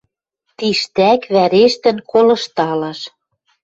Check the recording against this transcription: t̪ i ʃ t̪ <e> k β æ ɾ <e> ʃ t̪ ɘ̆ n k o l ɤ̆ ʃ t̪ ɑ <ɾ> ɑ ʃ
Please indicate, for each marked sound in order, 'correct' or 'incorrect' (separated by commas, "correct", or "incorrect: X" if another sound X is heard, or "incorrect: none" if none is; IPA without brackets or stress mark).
incorrect: æ, correct, incorrect: l